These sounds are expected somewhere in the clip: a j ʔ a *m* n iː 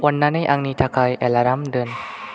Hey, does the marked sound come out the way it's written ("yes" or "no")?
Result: no